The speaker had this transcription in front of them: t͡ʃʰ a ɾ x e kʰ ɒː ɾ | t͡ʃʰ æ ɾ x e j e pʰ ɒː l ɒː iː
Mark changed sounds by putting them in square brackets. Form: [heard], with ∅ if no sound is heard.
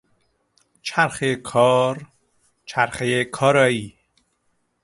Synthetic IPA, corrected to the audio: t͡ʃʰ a ɾ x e kʰ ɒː ɾ | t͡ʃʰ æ ɾ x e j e [kʰ] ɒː [ɾ] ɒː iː